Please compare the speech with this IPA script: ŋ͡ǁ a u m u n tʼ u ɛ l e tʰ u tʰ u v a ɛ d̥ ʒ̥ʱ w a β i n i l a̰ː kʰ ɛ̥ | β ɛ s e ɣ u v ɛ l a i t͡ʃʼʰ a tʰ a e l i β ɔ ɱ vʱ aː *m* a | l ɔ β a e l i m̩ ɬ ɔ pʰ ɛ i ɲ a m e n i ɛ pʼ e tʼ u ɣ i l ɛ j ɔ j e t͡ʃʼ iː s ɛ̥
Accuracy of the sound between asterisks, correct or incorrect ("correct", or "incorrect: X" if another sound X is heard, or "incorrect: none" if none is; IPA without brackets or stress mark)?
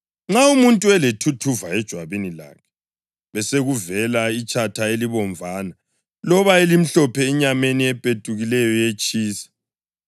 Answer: incorrect: n